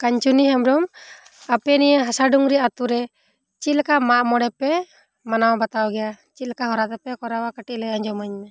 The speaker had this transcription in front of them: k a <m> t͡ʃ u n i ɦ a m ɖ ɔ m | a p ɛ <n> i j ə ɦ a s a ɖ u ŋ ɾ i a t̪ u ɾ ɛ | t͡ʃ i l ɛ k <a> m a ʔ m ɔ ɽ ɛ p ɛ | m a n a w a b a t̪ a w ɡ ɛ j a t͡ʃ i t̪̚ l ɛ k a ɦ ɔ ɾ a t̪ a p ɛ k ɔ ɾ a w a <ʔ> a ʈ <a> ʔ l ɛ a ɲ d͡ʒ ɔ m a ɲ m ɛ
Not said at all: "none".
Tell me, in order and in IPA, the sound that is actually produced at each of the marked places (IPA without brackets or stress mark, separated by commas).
ɲ, n, a, k, i